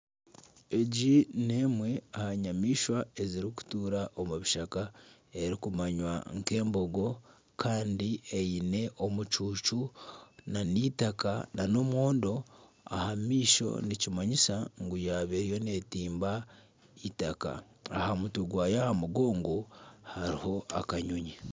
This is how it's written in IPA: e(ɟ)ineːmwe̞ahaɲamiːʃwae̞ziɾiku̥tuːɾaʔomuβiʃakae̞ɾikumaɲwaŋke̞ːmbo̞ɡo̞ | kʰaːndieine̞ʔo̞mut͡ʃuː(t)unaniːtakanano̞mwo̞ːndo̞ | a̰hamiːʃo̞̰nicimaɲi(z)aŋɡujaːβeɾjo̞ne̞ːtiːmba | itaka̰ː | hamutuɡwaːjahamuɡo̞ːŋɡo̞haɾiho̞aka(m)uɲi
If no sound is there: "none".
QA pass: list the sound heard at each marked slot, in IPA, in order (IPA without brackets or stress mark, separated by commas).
ɟ, t͡ʃ, s, ɲ